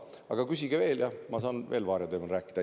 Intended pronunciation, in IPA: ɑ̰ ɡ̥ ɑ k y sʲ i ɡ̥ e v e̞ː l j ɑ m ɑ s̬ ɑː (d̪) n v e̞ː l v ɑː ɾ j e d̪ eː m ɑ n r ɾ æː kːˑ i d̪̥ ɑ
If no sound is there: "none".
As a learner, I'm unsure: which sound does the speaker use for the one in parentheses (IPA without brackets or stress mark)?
none